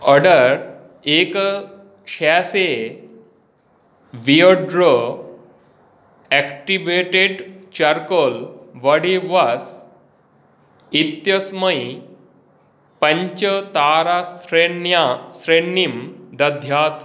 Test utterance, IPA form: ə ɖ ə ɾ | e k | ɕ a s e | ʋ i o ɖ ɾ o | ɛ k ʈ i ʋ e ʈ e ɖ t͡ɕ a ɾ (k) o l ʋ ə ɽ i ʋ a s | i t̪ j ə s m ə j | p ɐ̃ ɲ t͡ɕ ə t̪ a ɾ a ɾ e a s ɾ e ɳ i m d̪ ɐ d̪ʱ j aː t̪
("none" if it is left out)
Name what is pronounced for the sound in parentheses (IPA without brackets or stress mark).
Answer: k